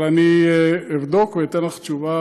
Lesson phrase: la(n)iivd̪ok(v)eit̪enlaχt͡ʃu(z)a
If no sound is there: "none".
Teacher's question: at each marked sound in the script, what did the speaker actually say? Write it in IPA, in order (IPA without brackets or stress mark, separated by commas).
n, v, v